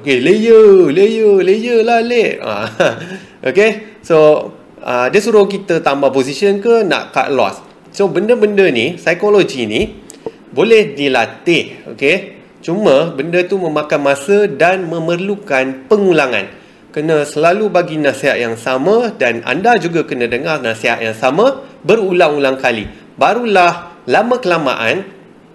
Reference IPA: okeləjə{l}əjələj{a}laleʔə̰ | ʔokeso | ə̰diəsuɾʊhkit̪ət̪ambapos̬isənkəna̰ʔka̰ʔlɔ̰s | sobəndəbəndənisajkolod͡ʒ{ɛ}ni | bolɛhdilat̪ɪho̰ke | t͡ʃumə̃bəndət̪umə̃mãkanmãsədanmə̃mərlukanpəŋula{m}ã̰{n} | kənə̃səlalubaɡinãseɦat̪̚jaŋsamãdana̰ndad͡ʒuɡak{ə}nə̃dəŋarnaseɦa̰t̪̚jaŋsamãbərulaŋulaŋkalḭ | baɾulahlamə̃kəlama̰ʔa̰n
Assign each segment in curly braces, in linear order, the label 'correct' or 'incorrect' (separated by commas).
correct, incorrect, incorrect, incorrect, correct, correct